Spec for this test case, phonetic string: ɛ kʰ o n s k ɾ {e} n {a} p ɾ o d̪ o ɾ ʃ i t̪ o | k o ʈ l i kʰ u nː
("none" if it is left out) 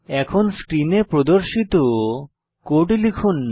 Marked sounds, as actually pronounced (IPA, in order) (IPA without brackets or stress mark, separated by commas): i, e